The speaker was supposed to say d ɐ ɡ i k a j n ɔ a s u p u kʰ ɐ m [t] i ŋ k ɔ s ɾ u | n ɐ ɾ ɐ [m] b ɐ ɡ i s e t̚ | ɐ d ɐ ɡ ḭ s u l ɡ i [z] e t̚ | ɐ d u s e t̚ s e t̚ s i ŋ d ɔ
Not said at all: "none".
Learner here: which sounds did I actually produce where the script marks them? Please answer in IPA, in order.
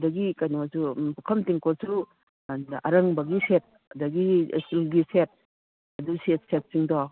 t, ŋ, s

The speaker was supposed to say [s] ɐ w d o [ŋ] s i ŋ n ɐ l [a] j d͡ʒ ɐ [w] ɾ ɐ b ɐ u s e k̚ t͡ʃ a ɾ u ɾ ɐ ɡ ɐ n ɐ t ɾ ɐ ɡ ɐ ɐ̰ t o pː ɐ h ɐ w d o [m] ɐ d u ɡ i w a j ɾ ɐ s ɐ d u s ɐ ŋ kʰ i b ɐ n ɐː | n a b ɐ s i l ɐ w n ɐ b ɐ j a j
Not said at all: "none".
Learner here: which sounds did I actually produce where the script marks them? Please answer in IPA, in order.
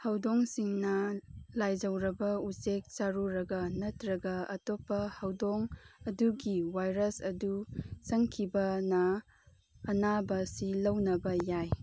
h, ŋ, a, w, ŋ

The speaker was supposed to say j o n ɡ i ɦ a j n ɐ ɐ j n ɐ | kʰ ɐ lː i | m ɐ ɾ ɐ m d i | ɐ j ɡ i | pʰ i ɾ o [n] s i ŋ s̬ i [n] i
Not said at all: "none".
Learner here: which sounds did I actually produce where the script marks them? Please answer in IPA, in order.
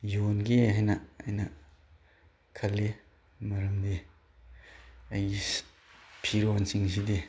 n, d

